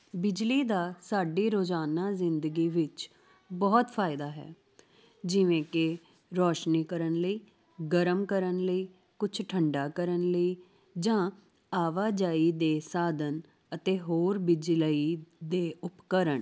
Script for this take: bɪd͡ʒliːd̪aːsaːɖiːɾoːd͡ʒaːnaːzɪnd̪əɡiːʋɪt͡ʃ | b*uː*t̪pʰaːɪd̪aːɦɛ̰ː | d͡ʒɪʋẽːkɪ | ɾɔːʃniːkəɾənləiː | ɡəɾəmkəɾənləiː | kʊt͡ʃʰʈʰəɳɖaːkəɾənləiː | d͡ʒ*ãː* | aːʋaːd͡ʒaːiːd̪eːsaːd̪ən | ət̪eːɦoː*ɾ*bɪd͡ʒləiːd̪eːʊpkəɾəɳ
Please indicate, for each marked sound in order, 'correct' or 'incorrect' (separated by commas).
incorrect, correct, correct